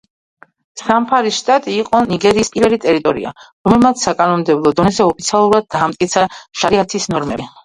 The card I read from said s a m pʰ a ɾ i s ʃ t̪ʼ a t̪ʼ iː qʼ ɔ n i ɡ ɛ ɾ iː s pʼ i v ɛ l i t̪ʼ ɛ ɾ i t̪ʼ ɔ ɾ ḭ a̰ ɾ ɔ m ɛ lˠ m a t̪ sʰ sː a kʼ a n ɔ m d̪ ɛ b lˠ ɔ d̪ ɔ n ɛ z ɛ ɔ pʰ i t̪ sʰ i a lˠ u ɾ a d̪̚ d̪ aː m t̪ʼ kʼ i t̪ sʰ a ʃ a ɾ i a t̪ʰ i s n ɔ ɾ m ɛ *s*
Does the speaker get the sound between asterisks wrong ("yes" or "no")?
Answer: yes